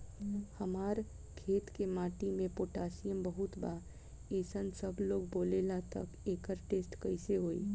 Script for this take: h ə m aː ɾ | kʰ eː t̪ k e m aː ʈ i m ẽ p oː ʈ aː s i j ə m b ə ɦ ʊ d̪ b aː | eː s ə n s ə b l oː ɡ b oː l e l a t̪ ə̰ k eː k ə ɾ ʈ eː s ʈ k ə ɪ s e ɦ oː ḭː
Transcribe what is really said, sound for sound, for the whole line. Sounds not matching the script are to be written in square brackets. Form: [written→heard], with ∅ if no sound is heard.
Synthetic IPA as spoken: h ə m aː ɾ | kʰ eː t̪ k e m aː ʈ i m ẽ p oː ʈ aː s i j ə m b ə ɦ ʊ [d̪→t̪] b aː | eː s ə n s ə b l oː ɡ b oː l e l a t̪ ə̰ k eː k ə ɾ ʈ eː s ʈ k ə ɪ s e ɦ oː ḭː